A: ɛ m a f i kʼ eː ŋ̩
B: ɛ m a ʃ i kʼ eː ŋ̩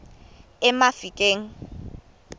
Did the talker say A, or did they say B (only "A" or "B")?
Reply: A